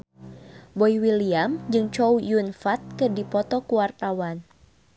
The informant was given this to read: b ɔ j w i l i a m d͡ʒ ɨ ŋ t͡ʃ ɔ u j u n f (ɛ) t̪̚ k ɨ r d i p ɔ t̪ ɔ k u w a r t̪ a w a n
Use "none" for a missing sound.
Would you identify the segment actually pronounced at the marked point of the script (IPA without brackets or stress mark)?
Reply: a